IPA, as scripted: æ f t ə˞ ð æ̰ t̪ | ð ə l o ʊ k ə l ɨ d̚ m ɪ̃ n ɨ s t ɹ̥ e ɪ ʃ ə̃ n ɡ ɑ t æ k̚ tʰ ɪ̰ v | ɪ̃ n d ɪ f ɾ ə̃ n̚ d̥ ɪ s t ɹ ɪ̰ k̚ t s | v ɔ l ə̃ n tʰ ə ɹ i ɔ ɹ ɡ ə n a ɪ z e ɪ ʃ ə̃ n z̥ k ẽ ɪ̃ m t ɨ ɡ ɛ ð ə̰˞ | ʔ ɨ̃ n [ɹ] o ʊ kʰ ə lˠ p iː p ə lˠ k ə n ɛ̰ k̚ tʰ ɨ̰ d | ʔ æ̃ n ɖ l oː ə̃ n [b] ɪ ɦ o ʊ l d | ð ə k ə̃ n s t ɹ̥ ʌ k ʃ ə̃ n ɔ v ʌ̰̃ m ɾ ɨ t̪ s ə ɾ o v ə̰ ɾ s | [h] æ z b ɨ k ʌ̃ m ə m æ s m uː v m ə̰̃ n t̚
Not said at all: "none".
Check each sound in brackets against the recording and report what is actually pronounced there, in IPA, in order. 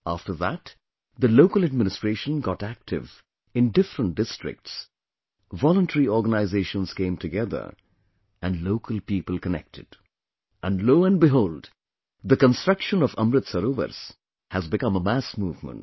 l, b, h

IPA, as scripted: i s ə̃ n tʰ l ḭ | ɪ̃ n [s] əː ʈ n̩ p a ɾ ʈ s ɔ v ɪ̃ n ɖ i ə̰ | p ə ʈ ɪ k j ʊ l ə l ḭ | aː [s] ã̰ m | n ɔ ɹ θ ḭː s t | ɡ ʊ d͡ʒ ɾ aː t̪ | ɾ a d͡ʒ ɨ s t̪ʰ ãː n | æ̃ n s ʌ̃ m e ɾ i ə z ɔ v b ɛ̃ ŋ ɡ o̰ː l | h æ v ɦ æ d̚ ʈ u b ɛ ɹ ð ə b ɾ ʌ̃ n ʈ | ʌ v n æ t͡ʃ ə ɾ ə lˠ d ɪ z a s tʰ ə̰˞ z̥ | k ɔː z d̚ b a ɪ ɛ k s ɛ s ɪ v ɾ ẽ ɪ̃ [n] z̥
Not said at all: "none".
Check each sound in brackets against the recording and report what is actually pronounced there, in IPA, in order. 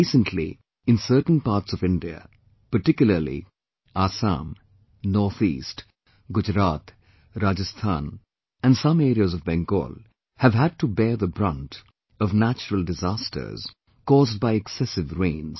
s, s, n

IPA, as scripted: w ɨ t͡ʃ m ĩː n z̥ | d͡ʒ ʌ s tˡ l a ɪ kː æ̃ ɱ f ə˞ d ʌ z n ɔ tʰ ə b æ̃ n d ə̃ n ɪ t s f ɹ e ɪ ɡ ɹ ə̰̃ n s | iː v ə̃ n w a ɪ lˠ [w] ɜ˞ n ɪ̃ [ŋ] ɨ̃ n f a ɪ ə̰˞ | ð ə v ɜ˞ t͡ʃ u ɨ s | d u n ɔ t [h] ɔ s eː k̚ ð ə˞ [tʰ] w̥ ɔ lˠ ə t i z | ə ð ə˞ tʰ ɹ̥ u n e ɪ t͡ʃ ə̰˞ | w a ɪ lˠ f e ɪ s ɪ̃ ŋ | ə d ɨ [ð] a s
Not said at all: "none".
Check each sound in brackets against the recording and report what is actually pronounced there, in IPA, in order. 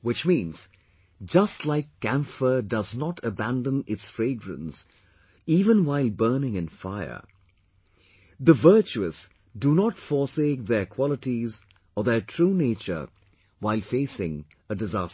b, ŋ, f, kʰ, z

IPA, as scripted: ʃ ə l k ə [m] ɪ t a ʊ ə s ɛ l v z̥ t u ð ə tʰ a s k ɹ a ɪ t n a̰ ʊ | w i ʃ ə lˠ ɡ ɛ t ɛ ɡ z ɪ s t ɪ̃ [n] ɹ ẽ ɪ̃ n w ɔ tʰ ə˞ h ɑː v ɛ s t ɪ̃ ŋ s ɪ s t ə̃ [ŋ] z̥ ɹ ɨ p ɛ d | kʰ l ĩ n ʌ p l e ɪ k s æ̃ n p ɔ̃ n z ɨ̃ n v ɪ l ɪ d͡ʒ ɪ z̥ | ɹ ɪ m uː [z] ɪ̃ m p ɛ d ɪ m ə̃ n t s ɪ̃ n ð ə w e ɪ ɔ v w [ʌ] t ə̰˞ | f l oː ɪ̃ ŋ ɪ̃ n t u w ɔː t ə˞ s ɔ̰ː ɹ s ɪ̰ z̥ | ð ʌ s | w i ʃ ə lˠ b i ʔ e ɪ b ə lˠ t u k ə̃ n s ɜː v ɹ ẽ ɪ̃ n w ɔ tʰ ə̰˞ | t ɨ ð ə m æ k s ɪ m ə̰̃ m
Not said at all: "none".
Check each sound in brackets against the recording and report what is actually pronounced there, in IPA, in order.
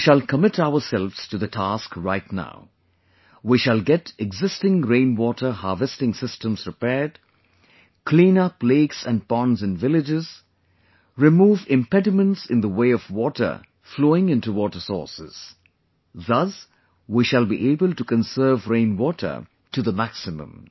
m, ŋ, m, v, ɔ

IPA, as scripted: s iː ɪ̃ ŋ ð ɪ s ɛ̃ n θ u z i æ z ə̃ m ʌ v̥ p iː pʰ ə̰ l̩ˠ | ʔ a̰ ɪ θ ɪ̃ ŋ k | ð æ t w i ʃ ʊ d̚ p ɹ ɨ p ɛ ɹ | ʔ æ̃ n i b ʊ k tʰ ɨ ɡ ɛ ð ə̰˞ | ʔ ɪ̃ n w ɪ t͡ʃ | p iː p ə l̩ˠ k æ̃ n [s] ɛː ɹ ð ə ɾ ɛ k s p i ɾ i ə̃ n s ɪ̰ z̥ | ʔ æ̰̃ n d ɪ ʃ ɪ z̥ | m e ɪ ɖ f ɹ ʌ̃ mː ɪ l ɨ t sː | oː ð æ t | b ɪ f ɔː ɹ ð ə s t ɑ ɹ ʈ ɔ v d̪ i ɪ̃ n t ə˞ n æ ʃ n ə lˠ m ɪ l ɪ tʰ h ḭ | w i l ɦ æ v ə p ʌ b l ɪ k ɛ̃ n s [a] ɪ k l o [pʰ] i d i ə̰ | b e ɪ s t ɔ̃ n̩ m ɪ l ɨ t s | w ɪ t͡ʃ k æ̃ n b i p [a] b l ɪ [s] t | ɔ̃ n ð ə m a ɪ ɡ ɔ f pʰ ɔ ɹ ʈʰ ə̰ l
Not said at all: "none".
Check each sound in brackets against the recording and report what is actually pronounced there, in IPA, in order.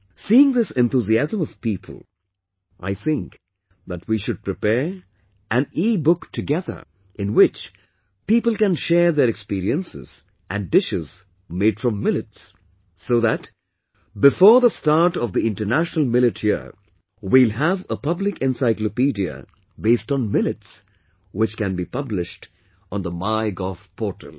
ʃ, a, p, ʌ, ʃ

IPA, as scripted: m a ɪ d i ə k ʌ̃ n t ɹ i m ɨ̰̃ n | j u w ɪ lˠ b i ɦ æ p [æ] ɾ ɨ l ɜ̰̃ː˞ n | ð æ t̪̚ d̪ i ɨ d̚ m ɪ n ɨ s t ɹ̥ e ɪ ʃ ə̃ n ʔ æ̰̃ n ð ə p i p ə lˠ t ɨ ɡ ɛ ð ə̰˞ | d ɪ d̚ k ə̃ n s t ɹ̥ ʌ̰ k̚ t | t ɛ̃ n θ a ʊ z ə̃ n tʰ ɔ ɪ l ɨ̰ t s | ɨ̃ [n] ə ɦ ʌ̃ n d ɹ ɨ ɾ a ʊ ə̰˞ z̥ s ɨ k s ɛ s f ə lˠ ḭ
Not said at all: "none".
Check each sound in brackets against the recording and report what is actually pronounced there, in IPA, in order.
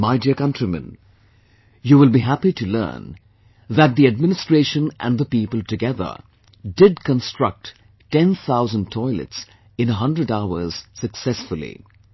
i, n

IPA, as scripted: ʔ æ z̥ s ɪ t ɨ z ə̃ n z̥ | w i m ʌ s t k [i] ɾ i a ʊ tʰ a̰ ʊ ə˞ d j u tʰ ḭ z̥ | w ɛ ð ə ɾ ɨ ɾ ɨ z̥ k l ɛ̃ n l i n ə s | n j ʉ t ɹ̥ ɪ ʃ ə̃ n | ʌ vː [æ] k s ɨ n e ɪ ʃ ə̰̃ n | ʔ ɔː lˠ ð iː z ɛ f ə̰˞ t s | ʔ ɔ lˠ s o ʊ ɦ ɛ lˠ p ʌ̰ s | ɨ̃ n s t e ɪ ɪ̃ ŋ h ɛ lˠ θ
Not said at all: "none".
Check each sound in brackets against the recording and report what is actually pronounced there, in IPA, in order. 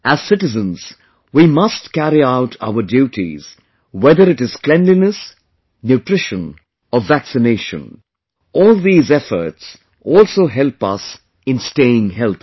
æ, æ

